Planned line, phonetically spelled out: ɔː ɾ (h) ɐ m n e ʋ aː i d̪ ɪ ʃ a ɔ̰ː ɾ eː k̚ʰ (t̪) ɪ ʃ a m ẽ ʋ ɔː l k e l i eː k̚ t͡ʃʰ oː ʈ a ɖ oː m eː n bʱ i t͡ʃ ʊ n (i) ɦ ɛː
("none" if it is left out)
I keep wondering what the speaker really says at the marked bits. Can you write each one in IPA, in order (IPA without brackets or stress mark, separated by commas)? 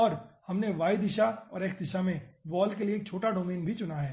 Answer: h, d̪, a